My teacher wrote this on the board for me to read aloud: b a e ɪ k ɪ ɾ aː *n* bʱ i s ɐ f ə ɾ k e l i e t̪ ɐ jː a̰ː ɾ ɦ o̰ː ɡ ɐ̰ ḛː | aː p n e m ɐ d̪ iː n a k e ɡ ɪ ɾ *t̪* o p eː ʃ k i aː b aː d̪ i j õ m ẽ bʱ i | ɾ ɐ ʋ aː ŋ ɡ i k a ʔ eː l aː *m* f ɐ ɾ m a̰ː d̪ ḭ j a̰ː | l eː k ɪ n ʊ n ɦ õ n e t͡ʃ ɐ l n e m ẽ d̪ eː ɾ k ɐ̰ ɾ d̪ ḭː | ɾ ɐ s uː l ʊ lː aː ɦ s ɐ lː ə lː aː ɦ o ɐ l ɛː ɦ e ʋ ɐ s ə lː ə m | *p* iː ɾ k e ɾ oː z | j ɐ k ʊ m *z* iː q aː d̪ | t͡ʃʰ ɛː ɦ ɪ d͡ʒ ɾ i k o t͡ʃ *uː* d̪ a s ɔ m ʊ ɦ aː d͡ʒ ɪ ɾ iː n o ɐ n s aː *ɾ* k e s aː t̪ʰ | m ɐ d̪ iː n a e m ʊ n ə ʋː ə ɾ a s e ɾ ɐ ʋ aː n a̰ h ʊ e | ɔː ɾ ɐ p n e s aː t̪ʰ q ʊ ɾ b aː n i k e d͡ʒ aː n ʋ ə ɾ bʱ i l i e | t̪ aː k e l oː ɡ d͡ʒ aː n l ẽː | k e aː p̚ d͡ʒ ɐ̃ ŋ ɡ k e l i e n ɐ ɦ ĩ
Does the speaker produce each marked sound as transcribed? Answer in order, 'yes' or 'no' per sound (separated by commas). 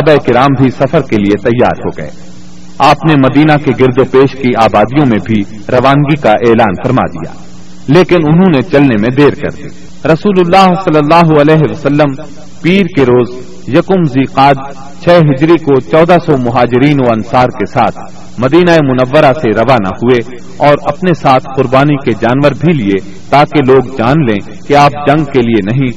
no, no, no, yes, yes, no, yes